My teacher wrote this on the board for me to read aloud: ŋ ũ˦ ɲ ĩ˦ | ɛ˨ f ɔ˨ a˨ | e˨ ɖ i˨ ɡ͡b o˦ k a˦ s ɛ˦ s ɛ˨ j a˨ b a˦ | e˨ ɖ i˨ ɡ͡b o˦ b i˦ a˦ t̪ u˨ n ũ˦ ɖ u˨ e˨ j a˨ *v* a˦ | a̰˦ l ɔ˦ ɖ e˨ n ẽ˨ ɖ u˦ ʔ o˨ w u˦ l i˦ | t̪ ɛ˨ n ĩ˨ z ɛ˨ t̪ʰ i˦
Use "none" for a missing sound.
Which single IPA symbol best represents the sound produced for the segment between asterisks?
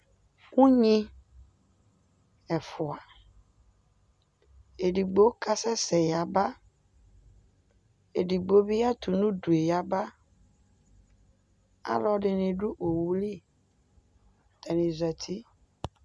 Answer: b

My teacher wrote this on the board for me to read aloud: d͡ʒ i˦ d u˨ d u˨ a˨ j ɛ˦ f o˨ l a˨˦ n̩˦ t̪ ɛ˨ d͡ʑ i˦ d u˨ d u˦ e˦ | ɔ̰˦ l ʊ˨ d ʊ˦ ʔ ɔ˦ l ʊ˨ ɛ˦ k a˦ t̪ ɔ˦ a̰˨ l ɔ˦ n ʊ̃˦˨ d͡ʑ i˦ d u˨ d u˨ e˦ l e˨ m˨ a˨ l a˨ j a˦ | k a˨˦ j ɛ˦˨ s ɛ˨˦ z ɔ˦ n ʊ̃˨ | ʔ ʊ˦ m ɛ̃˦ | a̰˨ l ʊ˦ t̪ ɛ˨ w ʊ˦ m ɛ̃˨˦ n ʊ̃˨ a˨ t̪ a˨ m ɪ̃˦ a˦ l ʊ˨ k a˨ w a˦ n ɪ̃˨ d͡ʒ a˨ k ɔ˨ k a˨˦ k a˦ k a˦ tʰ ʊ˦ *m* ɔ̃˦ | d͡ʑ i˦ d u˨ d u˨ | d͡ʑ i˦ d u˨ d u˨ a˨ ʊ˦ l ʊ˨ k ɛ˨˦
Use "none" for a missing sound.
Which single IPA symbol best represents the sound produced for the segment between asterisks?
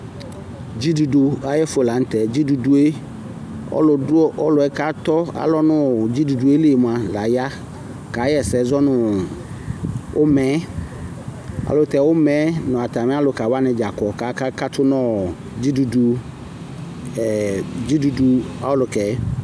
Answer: n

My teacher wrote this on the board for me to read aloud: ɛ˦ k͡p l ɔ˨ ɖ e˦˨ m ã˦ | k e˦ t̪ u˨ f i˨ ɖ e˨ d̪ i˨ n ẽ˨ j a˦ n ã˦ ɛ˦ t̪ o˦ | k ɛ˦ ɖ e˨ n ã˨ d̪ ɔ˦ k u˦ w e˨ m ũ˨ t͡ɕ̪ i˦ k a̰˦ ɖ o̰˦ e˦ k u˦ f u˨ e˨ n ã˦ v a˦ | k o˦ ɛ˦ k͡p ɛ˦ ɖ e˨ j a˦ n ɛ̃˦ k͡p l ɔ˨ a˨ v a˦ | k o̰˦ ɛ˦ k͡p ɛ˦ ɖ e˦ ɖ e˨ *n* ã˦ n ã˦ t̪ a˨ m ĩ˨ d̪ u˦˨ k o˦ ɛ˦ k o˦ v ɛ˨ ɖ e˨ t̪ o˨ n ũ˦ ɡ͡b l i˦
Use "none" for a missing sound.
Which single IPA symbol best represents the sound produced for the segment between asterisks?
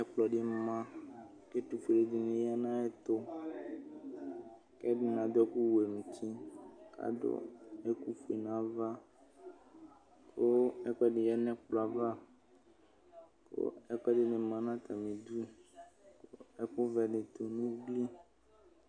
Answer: m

